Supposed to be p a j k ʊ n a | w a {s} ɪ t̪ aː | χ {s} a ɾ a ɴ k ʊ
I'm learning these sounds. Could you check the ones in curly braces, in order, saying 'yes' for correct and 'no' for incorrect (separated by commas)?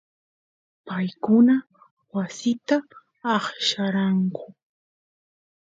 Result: yes, no